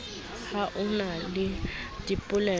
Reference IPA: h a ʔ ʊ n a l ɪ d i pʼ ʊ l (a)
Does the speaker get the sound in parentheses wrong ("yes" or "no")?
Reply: yes